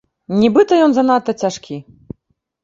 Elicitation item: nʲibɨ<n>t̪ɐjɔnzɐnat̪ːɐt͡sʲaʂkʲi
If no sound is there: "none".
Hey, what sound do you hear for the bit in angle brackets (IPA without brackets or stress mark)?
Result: none